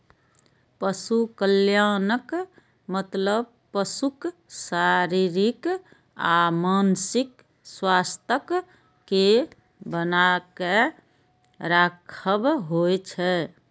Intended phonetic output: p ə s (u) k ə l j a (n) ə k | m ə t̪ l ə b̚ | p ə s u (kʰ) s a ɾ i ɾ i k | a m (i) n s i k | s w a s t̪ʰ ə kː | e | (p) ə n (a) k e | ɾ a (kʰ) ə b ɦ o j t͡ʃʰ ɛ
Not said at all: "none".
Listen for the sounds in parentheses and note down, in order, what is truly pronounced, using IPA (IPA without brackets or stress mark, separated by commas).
u, n, k, a, b, a, kʰ